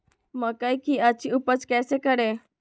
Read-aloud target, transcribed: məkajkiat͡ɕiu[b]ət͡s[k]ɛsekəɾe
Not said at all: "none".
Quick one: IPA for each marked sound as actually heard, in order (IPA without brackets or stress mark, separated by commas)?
p, k